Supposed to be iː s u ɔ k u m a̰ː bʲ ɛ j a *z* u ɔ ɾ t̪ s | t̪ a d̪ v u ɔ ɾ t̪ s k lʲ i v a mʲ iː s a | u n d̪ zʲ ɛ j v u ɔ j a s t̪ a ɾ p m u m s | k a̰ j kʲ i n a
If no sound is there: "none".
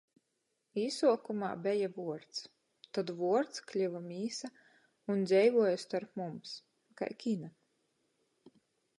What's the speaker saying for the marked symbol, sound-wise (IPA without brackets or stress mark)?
v